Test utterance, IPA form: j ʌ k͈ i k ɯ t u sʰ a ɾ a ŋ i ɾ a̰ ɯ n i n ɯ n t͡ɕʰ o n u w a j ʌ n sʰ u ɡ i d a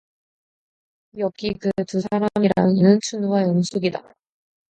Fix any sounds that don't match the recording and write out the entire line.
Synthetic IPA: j ʌ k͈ i k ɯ t u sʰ a ɾ a m i ɾ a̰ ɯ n i n ɯ n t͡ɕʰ u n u w a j ʌ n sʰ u ɡ i d a

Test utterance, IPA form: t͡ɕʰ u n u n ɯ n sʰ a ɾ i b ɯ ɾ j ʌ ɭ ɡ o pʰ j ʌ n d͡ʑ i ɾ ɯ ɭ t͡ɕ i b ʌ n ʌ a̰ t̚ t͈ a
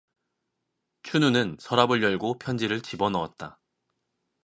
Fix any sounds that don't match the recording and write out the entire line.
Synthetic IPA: t͡ɕʰ u n u n ɯ n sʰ ʌ ɾ a b ɯ ɭ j ʌ ɭ ɡ o pʰ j ʌ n d͡ʑ i ɾ ɯ ɭ t͡ɕ i b ʌ n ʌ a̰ t̚ t͈ a

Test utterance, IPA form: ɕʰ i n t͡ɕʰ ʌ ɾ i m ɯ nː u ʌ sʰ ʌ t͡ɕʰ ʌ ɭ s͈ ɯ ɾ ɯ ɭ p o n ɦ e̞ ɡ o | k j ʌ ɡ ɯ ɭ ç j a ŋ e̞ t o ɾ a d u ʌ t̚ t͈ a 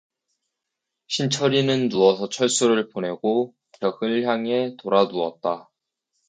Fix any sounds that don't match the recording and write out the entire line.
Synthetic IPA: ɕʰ i n t͡ɕʰ ʌ ɾ i n ɯ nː u ʌ sʰ ʌ t͡ɕʰ ʌ ɭ s͈ u ɾ ɯ ɭ p o n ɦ e̞ ɡ o | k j ʌ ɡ ɯ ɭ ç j a ŋ e̞ t o ɾ a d u ʌ t̚ t͈ a

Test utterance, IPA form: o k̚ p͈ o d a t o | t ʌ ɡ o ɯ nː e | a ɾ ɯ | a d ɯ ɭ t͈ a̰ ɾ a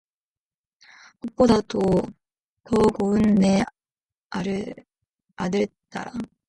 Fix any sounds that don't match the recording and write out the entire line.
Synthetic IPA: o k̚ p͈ o d a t o | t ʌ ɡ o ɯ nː e | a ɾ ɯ | a d ɯ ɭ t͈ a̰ ɾ a

